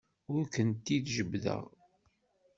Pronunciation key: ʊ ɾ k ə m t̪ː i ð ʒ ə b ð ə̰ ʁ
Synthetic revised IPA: ʊ ɾ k ə n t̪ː i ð ʒ ə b ð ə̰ ʁ